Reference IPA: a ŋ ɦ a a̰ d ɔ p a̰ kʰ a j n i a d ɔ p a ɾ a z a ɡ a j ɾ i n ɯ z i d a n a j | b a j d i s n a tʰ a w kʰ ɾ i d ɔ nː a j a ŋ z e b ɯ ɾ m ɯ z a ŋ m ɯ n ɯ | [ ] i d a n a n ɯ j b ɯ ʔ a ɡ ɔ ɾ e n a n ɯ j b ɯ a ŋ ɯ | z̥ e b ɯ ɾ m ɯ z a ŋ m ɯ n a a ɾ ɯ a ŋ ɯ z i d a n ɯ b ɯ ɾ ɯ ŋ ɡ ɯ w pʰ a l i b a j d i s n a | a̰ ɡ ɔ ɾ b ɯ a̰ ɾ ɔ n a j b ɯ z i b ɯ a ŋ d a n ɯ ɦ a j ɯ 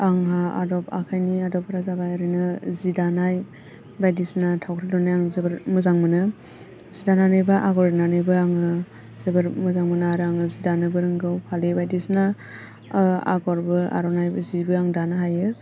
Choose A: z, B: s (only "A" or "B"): A